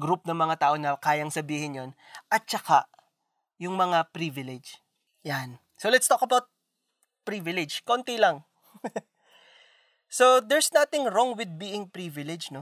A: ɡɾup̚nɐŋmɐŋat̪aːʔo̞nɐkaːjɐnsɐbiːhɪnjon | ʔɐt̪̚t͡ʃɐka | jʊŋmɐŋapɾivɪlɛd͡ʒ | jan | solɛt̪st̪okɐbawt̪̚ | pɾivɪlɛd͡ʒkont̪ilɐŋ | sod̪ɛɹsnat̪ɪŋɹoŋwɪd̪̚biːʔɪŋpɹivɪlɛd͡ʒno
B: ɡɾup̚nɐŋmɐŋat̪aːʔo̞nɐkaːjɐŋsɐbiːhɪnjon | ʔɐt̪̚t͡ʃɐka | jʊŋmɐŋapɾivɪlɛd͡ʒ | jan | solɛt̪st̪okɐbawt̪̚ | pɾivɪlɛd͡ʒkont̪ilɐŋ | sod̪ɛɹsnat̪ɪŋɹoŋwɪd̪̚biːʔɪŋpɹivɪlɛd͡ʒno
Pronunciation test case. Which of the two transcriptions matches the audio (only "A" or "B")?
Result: B